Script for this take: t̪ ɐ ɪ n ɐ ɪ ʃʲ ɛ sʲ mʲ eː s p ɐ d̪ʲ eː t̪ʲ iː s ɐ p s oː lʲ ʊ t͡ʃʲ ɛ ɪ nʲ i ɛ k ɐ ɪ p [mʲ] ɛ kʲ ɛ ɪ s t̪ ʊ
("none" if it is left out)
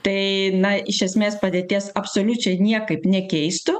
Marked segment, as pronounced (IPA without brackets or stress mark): nʲ